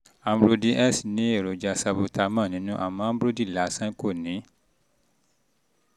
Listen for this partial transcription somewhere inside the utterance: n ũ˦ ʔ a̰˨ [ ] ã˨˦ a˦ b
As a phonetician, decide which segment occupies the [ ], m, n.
m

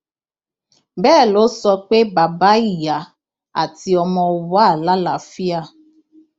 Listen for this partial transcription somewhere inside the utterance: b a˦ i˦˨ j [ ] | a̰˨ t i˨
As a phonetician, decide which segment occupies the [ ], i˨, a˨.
a˨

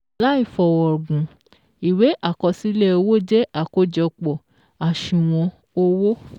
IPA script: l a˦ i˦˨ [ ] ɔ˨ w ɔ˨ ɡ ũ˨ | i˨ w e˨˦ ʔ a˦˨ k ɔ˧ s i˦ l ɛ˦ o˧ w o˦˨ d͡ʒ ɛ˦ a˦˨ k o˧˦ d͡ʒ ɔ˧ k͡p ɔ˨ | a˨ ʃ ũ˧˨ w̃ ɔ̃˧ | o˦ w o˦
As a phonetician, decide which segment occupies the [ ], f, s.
f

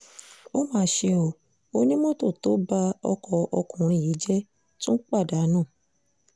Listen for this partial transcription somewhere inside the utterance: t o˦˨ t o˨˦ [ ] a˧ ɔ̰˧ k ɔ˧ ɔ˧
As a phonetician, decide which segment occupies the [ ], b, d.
b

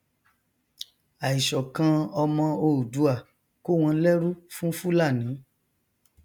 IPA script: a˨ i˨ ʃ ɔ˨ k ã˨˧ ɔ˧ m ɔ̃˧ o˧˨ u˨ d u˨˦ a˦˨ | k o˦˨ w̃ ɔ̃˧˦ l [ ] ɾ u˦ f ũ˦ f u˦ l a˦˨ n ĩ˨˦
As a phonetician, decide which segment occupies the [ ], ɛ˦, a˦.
ɛ˦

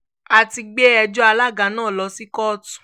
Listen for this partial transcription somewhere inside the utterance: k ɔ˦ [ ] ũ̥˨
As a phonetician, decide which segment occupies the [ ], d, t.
t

